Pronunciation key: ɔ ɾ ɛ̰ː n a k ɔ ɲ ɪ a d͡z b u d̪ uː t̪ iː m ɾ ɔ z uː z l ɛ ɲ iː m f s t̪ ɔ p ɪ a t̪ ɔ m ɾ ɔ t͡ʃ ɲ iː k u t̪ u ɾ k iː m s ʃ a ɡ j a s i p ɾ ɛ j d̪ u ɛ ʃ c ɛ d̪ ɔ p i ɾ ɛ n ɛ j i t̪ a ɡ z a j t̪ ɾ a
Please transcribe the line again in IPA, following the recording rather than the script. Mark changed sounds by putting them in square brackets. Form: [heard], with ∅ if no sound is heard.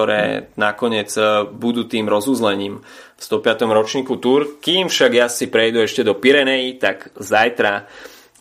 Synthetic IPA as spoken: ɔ ɾ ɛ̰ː n a k ɔ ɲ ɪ [ɛ] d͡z b u d̪ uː t̪ iː m ɾ ɔ z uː z l ɛ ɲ iː m f s t̪ ɔ p ɪ a t̪ ɔ m ɾ ɔ t͡ʃ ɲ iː k u t̪ u ɾ k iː m [f] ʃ a ɡ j a s i p ɾ ɛ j d̪ u ɛ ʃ c ɛ d̪ ɔ p i ɾ ɛ n ɛ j i t̪ a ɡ z a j t̪ ɾ a